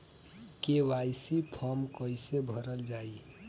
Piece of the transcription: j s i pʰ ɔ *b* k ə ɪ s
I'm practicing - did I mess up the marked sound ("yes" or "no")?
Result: yes